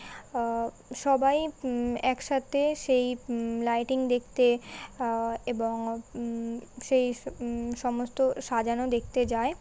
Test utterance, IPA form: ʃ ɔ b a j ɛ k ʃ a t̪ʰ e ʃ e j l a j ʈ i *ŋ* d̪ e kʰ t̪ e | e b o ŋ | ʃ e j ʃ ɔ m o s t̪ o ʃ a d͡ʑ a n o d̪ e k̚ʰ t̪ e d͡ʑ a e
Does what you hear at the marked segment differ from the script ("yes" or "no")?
no